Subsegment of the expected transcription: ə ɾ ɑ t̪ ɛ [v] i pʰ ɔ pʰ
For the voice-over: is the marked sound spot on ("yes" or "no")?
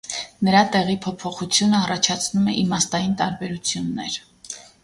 no